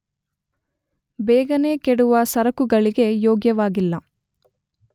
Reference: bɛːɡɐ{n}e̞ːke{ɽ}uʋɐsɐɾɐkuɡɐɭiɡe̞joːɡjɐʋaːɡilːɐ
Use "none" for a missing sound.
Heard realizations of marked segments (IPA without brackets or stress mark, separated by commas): n, ɽ